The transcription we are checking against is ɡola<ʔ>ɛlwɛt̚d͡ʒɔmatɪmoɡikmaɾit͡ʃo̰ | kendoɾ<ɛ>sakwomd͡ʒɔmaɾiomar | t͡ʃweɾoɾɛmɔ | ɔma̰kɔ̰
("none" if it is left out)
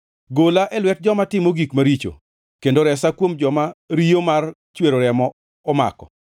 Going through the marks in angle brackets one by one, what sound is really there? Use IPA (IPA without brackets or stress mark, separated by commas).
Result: ʔ, ɛ